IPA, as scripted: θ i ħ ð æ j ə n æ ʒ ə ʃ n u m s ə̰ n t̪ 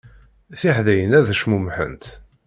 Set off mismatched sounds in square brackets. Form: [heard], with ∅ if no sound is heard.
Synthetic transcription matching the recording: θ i ħ ð æ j ə n æ [ð] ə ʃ [m] u m [ħ] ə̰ n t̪